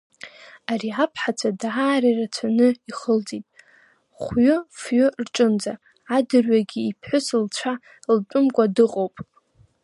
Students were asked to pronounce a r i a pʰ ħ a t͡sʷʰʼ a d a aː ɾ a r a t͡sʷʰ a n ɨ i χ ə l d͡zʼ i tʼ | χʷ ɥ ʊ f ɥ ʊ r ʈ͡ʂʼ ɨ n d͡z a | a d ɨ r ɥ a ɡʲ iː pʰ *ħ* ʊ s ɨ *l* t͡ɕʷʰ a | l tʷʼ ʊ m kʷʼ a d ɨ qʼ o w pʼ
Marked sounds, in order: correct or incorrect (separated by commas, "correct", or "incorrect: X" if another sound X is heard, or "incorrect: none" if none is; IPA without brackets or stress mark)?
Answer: correct, correct